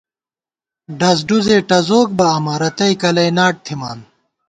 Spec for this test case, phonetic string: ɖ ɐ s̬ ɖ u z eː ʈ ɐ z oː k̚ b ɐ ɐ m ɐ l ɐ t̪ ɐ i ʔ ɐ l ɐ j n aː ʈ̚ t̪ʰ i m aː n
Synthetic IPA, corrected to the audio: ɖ ɐ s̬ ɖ u z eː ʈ ɐ z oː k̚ b ɐ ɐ m ɐ ɾ ɐ t̪ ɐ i k ɐ l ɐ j n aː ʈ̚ t̪ʰ i m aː n